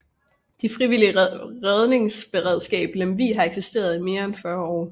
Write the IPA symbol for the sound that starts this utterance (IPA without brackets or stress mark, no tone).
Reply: d̥